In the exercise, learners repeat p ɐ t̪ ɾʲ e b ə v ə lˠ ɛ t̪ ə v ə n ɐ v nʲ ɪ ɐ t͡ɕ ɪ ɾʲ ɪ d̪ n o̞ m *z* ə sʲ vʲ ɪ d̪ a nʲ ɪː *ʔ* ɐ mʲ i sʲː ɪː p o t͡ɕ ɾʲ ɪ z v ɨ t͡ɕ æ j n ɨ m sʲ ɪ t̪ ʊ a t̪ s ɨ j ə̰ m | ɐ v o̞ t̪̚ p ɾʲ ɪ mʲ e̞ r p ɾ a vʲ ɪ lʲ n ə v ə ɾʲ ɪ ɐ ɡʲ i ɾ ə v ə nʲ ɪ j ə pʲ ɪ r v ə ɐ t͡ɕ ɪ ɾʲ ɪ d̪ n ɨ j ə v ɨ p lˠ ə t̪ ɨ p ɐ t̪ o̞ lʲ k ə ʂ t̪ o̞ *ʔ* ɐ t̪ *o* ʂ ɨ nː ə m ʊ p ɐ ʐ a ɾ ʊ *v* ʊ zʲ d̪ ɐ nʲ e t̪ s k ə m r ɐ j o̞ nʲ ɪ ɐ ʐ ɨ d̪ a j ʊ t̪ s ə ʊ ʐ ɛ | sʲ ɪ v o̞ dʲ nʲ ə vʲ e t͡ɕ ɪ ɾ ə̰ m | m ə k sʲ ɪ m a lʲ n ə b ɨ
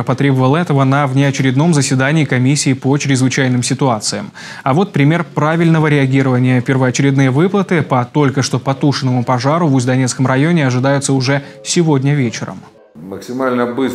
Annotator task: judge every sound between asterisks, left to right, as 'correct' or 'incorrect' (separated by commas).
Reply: correct, incorrect, incorrect, incorrect, correct